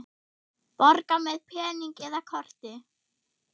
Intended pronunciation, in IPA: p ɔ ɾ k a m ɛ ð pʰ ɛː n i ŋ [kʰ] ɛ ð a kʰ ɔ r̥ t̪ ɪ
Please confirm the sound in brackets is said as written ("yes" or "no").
no